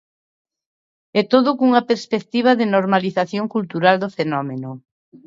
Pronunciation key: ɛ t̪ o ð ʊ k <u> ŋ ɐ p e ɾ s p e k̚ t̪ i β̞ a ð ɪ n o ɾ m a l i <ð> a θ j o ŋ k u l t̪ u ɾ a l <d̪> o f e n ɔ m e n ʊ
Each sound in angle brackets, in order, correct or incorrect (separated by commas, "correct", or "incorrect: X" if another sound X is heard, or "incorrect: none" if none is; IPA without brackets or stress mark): correct, incorrect: θ, correct